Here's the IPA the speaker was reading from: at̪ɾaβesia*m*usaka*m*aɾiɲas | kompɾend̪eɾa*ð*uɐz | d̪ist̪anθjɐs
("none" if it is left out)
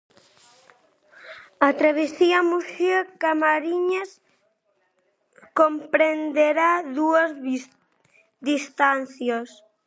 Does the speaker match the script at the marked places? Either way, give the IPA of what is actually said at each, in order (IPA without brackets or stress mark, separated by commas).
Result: m, m, ð